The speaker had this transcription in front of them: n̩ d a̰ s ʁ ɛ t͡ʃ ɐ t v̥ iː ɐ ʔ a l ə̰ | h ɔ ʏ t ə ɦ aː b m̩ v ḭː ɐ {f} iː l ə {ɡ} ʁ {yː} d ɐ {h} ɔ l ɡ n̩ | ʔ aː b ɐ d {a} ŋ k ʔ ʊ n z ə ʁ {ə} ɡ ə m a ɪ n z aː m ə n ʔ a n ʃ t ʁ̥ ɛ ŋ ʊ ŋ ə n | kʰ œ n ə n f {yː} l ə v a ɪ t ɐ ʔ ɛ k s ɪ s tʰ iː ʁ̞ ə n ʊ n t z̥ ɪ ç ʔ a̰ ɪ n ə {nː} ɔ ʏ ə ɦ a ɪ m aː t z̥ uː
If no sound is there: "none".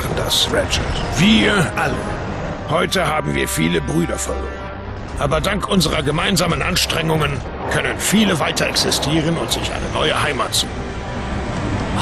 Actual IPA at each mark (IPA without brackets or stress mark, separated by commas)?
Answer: f, b, yː, f, a, ɐ, iː, n